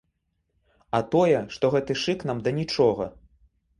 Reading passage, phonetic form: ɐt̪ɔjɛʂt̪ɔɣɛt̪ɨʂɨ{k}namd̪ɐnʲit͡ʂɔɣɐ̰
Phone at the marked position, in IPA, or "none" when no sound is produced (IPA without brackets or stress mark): k